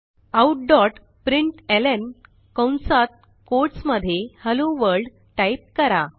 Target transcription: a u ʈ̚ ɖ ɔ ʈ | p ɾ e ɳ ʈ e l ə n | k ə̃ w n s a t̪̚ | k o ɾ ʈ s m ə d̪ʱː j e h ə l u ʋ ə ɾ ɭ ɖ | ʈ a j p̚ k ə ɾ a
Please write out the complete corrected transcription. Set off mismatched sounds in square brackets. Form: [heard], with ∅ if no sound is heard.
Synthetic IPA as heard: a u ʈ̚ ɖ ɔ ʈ | p ɾ [i] ɳ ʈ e l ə n | k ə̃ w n s a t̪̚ | k o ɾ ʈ s m ə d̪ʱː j e h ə l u ʋ ə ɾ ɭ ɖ | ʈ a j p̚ k ə ɾ a